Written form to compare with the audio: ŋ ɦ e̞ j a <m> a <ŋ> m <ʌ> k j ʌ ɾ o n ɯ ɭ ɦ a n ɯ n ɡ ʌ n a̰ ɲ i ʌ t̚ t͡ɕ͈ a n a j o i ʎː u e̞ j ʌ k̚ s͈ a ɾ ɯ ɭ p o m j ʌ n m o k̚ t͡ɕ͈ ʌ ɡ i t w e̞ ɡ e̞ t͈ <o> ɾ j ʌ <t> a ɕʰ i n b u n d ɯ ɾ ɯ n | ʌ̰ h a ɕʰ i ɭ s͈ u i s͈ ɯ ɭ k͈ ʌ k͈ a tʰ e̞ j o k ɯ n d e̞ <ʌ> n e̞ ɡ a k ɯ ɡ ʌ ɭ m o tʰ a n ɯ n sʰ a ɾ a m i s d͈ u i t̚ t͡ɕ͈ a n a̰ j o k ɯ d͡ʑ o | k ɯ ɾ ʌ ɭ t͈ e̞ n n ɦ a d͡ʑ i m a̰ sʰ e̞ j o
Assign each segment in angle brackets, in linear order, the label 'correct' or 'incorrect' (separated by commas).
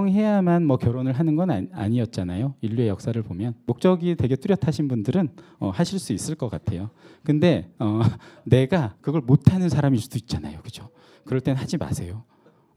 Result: correct, incorrect, correct, incorrect, incorrect, correct